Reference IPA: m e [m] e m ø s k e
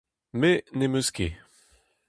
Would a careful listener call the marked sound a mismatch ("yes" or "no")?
yes